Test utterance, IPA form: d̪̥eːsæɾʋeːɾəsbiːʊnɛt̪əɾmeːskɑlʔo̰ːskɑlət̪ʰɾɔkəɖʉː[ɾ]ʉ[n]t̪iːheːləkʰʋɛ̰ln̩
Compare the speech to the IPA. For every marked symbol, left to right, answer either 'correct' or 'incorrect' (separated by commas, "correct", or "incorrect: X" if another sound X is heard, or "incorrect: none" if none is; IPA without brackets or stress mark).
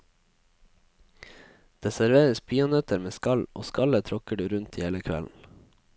correct, correct